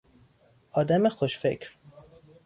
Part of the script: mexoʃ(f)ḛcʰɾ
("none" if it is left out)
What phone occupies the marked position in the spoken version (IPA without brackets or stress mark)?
f